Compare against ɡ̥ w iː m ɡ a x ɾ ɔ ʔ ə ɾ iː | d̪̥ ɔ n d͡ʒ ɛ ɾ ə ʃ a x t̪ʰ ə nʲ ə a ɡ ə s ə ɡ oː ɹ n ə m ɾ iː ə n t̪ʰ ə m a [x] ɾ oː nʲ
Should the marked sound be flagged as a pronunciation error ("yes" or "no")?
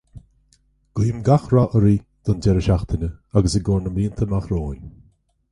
no